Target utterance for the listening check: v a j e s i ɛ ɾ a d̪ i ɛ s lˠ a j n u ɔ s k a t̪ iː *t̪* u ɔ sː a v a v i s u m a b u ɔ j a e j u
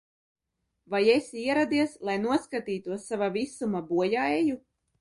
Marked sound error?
no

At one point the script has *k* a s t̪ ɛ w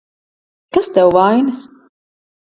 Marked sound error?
no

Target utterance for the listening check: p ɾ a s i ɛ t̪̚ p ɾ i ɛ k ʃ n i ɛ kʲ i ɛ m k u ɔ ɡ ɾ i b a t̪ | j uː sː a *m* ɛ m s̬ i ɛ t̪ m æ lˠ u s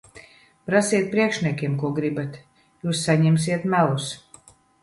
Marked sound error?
yes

